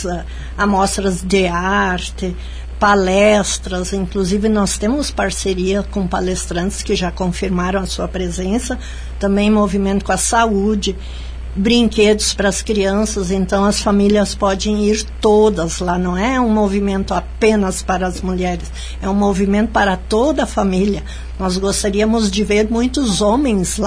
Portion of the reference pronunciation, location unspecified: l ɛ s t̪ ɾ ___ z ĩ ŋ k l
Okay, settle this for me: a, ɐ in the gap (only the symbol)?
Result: ɐ